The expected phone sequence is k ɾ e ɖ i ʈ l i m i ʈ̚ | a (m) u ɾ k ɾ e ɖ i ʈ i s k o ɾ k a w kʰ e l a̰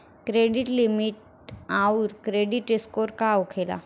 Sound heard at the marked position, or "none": none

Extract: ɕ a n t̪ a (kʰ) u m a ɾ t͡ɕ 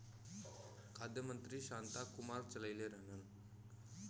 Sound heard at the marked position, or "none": k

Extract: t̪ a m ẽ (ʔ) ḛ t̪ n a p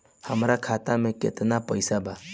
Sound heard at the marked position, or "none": k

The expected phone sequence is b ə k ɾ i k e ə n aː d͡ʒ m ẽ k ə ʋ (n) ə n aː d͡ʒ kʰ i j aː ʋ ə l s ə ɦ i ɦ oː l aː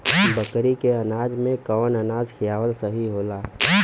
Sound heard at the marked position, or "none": n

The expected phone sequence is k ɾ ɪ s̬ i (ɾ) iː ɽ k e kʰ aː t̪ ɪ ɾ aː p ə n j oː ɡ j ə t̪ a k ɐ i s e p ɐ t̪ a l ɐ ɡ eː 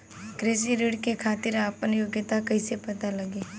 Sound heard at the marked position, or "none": ɾ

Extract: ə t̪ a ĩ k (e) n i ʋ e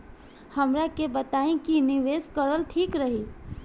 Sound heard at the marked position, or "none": i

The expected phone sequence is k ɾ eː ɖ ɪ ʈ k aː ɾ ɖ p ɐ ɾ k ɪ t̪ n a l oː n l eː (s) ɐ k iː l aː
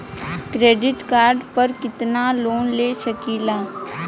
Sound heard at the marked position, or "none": ʃ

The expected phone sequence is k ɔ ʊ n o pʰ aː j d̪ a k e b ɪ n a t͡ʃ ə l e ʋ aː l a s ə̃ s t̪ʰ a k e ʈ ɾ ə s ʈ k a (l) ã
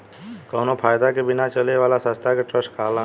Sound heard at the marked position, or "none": l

